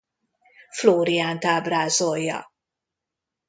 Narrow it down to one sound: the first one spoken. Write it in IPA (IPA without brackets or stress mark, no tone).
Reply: f